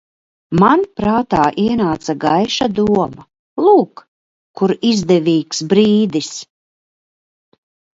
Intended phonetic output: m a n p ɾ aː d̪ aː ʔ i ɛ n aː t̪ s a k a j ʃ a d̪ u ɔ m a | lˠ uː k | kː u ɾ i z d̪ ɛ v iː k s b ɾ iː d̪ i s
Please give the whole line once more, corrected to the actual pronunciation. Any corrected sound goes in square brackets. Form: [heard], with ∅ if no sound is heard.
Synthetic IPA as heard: m a n p ɾ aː [t̪] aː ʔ i ɛ n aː t̪ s a [ɡ] a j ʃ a d̪ u ɔ m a | lˠ uː k | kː u ɾ i z d̪ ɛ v iː k s b ɾ iː d̪ i s